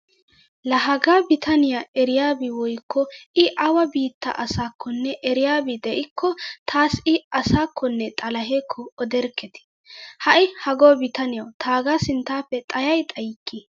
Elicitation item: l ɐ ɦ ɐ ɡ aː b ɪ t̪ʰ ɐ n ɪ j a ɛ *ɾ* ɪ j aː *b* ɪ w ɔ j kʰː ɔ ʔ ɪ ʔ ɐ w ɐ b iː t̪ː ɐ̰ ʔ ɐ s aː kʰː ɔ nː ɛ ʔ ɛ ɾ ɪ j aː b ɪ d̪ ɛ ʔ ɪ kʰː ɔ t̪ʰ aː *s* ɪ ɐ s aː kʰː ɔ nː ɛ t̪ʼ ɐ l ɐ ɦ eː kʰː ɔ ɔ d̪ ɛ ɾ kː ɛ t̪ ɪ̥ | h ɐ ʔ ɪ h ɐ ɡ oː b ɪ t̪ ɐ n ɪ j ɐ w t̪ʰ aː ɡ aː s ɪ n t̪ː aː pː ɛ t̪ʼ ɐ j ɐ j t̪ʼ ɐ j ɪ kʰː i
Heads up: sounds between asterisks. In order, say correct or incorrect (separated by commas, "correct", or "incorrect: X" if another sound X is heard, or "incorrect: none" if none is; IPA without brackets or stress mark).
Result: correct, correct, correct